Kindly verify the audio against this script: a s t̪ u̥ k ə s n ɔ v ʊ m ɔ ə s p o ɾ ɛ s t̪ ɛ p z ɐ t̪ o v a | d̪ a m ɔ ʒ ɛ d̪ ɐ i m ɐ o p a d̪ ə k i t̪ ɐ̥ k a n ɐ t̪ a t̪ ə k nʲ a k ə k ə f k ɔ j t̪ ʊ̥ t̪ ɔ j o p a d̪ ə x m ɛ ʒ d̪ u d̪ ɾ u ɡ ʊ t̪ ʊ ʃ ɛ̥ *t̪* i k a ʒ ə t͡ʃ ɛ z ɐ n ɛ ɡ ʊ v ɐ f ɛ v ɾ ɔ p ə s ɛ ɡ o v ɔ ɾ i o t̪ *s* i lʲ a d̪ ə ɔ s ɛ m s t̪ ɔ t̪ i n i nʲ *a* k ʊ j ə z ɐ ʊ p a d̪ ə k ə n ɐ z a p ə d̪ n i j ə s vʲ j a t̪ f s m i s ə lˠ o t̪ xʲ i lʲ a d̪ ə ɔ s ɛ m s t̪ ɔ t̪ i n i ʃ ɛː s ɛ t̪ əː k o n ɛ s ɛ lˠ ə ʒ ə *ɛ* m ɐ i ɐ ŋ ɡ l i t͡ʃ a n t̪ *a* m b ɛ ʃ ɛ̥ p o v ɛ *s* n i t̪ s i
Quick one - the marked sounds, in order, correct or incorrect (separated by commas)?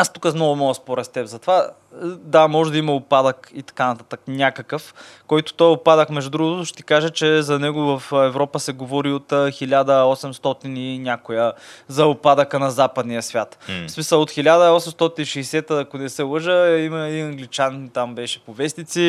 correct, incorrect, correct, incorrect, correct, correct